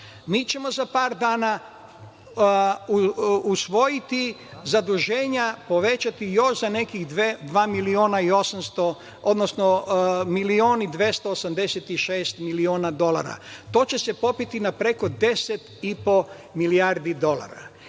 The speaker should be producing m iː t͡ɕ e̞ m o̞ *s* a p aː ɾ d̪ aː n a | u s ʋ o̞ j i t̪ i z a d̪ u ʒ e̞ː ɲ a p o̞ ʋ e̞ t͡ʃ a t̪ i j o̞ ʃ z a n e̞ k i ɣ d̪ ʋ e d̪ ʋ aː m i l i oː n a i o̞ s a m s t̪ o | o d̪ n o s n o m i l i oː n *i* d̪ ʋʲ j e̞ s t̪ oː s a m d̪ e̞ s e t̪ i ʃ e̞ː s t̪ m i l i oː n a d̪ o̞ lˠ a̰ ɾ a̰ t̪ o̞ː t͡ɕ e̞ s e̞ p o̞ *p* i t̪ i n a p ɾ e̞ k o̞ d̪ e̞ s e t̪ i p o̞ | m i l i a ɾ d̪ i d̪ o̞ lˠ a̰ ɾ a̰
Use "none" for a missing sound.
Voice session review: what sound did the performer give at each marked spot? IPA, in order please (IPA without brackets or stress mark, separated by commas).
z, i, p